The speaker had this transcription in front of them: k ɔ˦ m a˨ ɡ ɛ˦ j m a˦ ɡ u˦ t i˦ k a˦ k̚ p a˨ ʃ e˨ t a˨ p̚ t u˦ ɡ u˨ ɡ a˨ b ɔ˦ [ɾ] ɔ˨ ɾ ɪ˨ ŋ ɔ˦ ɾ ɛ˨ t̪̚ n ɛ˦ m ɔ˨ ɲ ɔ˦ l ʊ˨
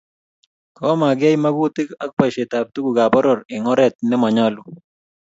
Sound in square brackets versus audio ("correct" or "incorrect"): correct